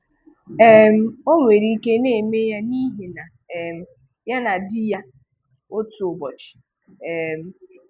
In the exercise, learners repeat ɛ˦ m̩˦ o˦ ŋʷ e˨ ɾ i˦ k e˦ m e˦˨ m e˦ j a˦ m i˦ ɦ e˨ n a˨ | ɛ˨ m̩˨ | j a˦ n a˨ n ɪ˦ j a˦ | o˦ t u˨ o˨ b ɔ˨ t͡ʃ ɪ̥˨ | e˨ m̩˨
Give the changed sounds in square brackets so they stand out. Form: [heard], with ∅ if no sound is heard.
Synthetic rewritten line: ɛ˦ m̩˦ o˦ ŋʷ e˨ ɾ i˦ k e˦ [n] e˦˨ m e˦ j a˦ [n] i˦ ɦ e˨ n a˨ | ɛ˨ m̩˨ | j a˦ n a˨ [d] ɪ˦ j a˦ | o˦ t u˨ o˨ b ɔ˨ t͡ʃ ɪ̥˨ | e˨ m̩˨

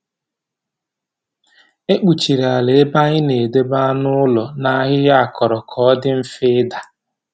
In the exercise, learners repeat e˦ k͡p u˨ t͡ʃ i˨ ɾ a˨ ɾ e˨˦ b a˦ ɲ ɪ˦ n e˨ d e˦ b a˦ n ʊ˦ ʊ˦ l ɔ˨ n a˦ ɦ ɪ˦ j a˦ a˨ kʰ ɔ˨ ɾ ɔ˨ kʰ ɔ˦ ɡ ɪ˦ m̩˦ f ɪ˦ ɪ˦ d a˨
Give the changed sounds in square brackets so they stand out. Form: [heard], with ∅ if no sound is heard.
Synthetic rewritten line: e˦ k͡p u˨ t͡ʃ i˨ ɾ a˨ [l] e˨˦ b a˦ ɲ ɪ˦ n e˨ d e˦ b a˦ n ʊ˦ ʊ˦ l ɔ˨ n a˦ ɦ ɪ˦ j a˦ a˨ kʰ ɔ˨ ɾ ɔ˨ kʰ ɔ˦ [d] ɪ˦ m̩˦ f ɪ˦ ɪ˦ d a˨

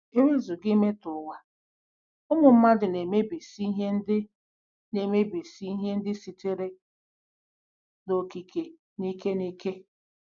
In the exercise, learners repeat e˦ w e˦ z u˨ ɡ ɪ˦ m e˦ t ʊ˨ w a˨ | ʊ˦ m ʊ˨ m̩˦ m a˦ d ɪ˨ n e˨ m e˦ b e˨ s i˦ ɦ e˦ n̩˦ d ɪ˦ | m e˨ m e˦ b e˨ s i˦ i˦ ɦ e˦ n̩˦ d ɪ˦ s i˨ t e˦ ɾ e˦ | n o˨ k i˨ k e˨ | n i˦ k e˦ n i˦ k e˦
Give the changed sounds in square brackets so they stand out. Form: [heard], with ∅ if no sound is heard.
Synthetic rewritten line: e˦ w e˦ z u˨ ɡ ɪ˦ m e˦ t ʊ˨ w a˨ | ʊ˦ m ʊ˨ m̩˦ m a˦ d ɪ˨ n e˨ m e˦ b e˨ s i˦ ɦ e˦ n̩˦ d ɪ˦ | [n] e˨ m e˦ b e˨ s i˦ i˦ ɦ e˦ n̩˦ d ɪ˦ s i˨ t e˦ ɾ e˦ | n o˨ k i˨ k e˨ | n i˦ k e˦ n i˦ k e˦

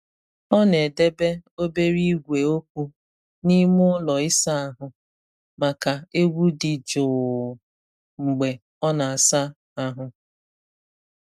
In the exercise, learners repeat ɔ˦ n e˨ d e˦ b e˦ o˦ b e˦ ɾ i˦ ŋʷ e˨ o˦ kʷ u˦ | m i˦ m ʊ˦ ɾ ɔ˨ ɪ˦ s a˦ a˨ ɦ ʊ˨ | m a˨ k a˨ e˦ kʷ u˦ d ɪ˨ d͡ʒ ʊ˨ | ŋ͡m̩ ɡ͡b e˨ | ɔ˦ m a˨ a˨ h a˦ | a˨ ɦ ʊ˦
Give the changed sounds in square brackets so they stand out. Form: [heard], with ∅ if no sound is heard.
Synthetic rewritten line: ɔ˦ n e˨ d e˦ b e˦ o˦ b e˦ ɾ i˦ [ɡʷ] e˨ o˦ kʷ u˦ | [n] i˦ m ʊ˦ [l] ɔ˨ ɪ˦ s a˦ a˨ ɦ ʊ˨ | m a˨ k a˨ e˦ [ɡʷ] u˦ d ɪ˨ d͡ʒ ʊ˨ | ŋ͡m̩ ɡ͡b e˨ | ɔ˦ [n] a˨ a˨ [s] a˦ | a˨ ɦ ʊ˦

